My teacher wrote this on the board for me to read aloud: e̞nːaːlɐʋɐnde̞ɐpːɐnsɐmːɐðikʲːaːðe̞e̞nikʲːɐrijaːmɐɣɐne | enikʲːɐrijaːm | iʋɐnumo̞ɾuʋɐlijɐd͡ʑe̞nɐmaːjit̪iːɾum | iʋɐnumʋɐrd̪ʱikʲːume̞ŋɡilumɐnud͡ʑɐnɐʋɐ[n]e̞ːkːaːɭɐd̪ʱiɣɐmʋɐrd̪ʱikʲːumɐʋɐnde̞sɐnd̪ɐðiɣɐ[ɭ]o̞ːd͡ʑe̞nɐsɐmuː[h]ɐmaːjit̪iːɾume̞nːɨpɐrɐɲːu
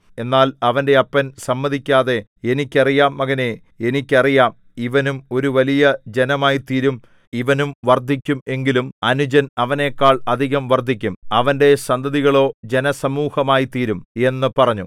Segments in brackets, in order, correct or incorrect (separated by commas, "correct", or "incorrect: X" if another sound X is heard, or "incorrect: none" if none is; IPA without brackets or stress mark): correct, correct, correct